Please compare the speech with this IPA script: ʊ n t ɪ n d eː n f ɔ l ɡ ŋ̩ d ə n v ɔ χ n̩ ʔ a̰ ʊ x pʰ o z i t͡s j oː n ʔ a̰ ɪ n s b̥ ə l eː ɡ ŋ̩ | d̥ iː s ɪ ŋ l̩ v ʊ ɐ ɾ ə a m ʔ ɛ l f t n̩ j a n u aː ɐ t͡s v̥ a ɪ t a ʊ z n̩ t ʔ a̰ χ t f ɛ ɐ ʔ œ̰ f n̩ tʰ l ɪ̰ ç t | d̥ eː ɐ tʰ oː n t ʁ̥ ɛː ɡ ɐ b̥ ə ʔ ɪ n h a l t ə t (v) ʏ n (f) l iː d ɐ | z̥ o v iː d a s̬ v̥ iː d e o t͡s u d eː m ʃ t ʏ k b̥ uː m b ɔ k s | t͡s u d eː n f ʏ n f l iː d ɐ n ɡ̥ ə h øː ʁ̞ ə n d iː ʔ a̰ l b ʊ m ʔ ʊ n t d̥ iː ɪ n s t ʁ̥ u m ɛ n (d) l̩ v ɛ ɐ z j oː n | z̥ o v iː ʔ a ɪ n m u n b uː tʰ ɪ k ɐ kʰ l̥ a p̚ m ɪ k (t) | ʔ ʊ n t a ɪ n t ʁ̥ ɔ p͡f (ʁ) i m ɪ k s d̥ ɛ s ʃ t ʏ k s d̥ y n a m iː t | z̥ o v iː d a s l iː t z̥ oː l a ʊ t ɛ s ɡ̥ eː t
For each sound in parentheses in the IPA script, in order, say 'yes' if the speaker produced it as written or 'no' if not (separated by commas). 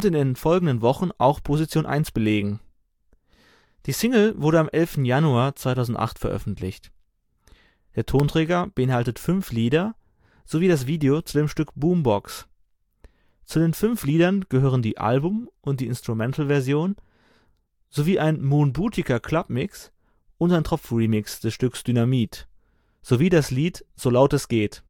no, yes, no, no, yes